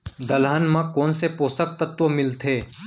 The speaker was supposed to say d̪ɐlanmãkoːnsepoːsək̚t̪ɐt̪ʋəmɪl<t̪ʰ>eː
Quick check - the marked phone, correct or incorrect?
correct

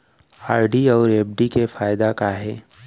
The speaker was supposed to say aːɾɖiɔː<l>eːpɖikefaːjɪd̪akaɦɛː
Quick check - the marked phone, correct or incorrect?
incorrect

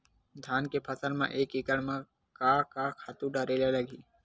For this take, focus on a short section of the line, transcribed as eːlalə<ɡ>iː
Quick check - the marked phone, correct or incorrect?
correct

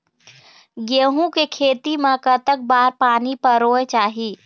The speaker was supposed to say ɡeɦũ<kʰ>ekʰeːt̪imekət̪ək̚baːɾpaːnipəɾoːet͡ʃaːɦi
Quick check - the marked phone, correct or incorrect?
incorrect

